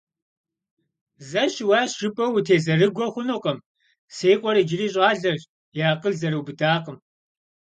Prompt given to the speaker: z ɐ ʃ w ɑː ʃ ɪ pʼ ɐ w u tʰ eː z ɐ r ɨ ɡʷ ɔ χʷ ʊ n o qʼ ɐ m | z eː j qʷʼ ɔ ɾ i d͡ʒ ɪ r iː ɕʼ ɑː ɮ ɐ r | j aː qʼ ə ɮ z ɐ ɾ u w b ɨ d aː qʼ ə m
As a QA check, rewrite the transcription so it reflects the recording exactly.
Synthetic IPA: z ɐ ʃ w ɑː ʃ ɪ pʼ ɐ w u tʰ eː z ɐ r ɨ ɡʷ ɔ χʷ ʊ n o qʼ ɐ m | s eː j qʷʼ ɔ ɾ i d͡ʒ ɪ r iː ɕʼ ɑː ɮ ɐ r | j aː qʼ ə ɮ z ɐ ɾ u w b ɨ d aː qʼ ə m